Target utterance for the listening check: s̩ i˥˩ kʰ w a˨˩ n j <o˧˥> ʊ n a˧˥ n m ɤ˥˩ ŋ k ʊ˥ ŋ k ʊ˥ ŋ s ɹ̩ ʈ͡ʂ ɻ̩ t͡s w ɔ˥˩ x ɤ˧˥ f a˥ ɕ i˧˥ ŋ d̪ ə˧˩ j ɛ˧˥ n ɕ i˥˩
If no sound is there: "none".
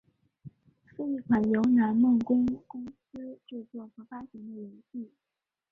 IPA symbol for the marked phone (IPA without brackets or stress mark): o˧˥